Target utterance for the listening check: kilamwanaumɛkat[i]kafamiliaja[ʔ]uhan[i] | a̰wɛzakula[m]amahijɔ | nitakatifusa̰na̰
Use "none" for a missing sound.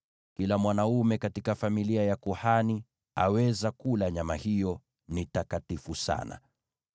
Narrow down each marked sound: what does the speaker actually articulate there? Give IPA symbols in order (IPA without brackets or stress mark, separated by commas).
i, k, i, ɲ